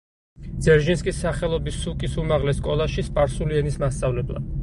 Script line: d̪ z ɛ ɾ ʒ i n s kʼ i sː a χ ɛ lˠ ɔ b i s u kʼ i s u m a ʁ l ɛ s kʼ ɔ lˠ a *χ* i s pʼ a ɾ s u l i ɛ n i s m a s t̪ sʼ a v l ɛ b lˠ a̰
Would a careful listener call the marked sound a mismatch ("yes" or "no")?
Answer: yes